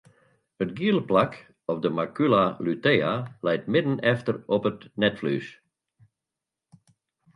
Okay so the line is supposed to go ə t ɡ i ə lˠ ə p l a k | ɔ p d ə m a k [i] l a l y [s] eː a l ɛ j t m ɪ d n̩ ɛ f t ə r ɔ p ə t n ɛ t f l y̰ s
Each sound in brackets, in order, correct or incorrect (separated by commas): incorrect, incorrect